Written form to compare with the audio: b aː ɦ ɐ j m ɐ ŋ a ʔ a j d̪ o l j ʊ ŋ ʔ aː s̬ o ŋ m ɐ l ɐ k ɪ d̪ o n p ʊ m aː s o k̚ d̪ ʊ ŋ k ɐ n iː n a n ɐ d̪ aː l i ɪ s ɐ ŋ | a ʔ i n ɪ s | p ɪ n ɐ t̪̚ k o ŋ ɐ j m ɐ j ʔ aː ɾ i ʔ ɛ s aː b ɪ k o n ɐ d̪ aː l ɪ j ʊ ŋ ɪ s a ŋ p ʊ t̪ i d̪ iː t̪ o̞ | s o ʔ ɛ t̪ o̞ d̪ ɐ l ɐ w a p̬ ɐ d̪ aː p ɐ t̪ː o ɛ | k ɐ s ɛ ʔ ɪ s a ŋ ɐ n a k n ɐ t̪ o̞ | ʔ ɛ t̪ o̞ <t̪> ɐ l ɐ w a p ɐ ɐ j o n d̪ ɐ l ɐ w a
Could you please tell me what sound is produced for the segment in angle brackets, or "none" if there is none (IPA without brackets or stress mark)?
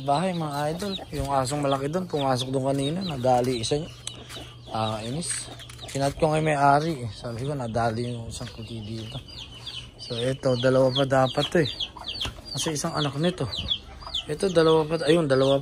d̪